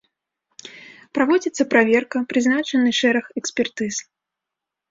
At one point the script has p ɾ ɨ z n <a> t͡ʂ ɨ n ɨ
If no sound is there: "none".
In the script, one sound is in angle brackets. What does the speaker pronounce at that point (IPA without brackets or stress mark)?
a